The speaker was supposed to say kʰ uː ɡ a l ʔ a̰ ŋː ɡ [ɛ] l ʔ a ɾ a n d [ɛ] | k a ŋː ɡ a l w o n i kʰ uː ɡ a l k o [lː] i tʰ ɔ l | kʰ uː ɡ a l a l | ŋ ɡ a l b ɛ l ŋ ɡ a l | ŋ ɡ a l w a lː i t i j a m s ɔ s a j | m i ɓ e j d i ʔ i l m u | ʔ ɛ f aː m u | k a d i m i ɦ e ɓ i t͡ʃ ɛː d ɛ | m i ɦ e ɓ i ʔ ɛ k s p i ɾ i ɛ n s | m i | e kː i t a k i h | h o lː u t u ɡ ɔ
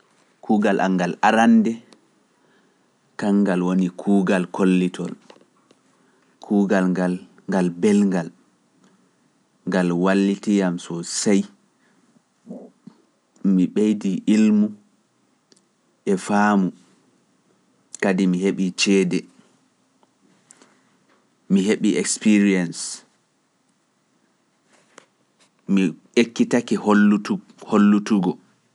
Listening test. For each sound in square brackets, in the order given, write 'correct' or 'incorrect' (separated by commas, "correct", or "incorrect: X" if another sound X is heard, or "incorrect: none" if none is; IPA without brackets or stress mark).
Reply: incorrect: a, correct, correct